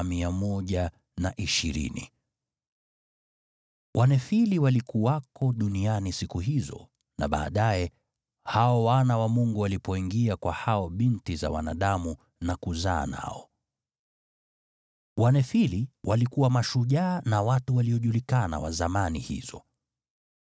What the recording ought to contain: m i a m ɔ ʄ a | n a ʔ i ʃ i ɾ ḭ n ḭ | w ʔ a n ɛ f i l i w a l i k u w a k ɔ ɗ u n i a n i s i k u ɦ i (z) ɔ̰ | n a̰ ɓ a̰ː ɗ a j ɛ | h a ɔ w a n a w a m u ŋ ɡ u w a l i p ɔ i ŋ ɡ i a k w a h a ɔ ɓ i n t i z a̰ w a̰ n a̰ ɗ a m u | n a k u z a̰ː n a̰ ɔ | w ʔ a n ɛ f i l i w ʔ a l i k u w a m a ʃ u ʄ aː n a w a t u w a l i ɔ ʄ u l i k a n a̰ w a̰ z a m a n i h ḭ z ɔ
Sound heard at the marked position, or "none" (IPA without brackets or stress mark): z